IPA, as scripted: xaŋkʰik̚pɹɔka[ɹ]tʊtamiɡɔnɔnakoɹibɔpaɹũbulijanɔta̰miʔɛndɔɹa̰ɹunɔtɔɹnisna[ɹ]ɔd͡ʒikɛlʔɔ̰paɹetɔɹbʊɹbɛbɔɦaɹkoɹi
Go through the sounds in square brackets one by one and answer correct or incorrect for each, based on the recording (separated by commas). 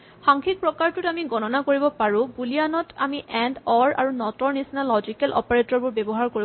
correct, incorrect